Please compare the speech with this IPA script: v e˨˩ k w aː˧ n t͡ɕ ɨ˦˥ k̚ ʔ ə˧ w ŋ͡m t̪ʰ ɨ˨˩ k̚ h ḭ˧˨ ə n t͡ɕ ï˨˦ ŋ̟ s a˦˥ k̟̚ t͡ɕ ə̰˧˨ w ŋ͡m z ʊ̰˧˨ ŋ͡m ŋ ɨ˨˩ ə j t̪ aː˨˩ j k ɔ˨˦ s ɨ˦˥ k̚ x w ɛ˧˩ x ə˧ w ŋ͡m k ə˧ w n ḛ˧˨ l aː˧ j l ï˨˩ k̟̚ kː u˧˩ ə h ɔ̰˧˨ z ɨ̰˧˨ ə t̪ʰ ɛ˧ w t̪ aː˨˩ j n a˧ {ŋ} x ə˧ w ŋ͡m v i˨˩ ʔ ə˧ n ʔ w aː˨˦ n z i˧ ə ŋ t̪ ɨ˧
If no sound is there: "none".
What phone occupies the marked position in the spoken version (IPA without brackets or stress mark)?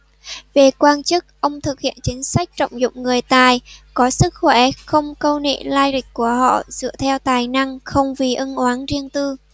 ŋ